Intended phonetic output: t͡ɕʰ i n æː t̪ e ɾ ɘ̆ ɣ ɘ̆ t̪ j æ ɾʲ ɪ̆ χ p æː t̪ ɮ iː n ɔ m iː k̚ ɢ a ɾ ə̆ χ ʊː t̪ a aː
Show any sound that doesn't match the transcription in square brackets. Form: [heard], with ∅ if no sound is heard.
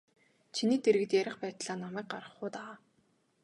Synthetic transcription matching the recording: t͡ɕʰ i n [iː] t̪ e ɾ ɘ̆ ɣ ɘ̆ t̪ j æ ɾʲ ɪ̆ χ p æː t̪ ɮ [aː] n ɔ m [æː] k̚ ɢ a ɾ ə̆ χ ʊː t̪ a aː